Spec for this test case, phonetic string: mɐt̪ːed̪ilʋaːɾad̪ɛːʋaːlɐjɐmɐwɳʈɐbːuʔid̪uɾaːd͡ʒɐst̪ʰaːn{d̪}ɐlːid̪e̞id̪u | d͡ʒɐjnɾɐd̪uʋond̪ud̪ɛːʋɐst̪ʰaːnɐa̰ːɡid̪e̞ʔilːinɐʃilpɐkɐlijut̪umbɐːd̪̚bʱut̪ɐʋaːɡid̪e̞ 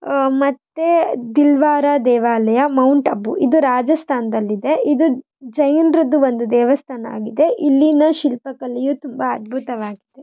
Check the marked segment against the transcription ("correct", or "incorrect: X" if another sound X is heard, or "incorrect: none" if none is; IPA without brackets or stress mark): correct